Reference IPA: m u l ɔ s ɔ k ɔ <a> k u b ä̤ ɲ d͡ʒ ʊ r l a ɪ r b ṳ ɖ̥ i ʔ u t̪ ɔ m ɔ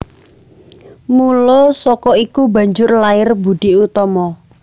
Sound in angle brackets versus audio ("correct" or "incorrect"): incorrect